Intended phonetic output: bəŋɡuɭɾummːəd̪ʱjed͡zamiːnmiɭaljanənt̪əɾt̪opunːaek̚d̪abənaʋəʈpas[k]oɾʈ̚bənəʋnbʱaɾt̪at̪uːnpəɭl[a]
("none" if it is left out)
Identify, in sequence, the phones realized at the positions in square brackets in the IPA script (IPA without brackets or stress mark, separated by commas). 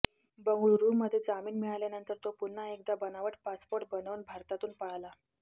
p, a